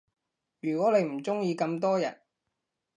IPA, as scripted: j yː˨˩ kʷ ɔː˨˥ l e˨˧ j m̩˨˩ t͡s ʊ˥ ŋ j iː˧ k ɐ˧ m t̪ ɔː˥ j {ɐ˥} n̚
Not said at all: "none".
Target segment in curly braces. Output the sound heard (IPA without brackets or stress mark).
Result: ɐ˨˩